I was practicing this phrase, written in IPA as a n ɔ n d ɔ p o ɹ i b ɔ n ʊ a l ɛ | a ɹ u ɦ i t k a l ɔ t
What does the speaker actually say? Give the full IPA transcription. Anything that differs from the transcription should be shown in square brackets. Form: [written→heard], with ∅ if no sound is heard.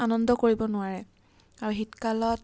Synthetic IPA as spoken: a n ɔ n d ɔ [p→k] o ɹ i b ɔ n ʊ a [l→ɹ] ɛ | a ɹ u ɦ i t k a l ɔ t